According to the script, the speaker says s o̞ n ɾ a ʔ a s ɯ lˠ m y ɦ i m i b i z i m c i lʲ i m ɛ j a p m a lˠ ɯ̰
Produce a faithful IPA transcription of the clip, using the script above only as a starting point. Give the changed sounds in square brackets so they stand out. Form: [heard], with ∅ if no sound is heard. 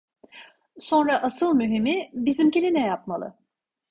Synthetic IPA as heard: s o̞ n ɾ a ʔ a s ɯ lˠ m y ɦ i m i b i z i m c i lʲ i [n] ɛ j a p m a lˠ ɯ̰